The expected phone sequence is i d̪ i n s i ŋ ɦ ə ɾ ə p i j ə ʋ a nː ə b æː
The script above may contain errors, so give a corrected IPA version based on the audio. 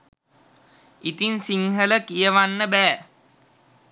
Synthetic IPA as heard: i t̪ i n s i ŋ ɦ ə l ə k i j ə ʋ a nː ə b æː